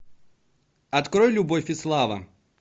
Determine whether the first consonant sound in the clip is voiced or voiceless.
voiceless